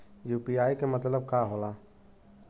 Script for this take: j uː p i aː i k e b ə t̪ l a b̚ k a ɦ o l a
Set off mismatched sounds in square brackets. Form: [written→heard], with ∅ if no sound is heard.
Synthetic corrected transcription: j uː p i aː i k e [b→m] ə t̪ l [a→ə] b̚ k a ɦ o l a